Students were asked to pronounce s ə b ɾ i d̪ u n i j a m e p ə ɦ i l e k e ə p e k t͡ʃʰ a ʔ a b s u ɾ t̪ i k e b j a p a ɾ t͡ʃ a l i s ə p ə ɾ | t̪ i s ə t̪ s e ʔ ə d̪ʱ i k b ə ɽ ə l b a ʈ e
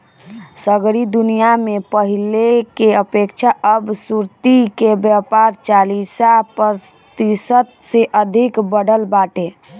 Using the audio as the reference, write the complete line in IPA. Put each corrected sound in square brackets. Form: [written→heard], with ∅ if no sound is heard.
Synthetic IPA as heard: s ə [b→ɡ] ɾ i d̪ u n i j a m e p ə ɦ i l e k e ə p e k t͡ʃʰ a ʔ [a→ə] b s u ɾ t̪ i k e b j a p a ɾ t͡ʃ a l i s [ə→a] p ə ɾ | t̪ i s ə t̪ s e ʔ ə d̪ʱ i k b ə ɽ ə l b a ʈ e